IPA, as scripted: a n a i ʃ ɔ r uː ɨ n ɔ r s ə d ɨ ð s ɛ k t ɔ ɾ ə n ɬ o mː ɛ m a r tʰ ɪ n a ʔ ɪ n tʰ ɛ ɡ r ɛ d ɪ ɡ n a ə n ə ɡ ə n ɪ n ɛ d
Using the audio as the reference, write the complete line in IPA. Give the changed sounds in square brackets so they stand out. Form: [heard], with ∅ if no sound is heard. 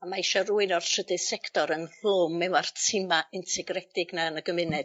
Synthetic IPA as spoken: a [m] a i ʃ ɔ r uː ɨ n ɔ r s ə d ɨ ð s ɛ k t ɔ ɾ ə n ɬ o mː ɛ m a r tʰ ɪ [m] a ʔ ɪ n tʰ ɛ ɡ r ɛ d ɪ ɡ n a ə n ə ɡ ə [m] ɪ n ɛ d